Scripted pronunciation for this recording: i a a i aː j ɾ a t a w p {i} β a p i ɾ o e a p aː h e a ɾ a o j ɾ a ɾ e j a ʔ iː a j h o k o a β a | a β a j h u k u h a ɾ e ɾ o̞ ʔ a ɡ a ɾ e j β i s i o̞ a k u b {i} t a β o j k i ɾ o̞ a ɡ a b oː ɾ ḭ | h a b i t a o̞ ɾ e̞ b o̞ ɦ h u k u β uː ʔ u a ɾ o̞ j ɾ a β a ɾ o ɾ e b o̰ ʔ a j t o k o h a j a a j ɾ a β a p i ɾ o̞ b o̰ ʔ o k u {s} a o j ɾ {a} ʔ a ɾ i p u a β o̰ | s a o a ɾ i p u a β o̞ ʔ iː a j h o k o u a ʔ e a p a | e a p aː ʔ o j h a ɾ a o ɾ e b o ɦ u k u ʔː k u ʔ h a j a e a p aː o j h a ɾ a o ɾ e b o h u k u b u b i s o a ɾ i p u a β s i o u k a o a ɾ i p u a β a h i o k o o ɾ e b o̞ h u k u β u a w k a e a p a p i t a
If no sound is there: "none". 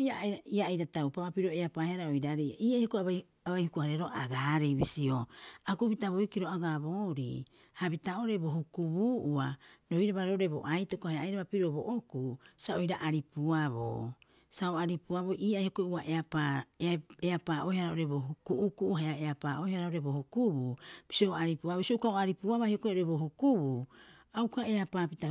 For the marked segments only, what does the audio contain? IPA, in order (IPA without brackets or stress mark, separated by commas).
a, i, s, a